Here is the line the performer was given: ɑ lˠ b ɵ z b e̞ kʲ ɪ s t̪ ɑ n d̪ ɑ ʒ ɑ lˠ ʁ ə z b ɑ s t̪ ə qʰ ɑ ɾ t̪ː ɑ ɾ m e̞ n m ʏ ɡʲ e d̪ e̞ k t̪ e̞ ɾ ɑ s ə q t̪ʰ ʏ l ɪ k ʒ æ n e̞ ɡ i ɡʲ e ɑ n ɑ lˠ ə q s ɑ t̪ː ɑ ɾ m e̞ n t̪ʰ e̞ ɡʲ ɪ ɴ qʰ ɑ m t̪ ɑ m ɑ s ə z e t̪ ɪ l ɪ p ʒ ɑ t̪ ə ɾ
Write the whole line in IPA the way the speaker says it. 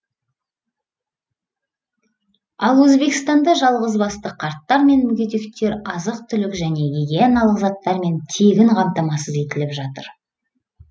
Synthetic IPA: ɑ lˠ w ɵ z b e̞ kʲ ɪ s t̪ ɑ n d̪ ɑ ʒ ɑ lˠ ʁ ə z b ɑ s t̪ ə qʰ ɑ ɾ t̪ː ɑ ɾ m e̞ n m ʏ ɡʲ e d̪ e̞ k t̪ e̞ ɾ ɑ z ə q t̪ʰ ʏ l ɪ k ʒ æ n e̞ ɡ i ɡʲ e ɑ n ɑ lˠ ə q z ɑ t̪ː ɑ ɾ m e̞ n t̪ʰ e̞ ɡʲ ɪ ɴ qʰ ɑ m t̪ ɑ m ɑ s ə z e t̪ ɪ l ɪ p ʒ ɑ t̪ ə ɾ